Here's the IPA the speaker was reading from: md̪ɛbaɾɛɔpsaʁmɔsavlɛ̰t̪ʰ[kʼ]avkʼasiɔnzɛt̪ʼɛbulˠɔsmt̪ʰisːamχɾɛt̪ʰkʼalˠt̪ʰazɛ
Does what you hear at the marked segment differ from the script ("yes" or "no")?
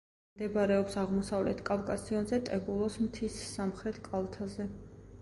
no